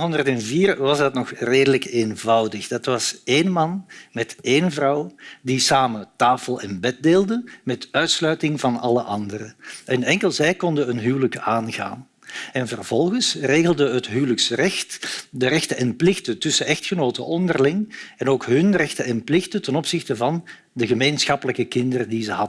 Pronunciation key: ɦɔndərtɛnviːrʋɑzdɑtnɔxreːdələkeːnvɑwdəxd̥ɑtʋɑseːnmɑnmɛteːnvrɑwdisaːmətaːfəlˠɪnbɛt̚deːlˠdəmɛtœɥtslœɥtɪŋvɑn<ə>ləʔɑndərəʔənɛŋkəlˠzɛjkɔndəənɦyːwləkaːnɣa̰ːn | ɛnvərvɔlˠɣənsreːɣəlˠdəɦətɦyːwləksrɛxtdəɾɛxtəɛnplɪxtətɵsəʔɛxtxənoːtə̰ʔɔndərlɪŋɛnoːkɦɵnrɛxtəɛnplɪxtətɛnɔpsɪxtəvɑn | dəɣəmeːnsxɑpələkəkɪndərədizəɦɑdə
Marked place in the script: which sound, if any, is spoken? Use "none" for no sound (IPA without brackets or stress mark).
ɑ